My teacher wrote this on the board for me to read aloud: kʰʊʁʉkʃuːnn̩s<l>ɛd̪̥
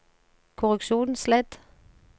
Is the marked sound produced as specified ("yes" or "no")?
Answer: yes